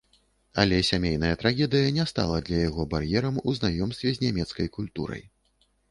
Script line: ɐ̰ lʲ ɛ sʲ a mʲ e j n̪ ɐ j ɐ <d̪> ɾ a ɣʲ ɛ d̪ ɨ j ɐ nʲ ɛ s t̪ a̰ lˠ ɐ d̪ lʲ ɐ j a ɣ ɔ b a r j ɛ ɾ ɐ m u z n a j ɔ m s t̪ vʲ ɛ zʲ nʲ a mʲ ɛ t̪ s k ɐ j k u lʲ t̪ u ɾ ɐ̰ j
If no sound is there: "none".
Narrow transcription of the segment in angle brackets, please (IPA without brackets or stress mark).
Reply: t̪